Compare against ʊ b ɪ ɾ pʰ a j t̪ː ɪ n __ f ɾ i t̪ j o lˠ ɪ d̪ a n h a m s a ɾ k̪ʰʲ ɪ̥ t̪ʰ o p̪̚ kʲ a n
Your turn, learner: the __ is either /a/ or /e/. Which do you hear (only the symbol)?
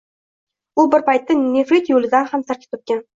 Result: e